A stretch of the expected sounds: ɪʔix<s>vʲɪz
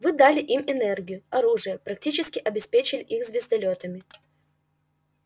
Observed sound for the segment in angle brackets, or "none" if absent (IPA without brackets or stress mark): z